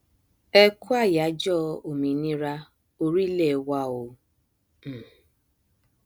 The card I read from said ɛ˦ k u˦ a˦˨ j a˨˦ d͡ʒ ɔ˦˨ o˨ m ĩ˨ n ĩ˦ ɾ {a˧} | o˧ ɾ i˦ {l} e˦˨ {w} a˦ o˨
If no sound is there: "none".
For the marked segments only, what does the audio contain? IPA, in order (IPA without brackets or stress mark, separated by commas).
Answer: a˧, l, w